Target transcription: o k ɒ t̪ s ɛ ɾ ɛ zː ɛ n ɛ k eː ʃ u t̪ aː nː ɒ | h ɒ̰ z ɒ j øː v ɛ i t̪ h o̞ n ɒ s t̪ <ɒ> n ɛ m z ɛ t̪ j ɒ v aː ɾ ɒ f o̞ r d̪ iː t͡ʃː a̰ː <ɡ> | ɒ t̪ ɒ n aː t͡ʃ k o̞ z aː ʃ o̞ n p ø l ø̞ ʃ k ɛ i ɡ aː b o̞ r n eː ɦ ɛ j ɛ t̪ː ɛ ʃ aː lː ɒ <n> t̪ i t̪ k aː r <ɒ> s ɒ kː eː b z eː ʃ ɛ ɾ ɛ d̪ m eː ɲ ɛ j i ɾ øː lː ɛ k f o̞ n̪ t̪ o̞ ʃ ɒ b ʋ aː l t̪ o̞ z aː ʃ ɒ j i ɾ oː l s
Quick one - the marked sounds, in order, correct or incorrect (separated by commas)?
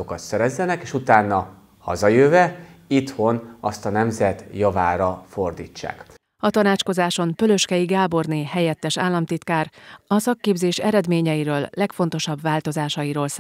correct, incorrect, incorrect, correct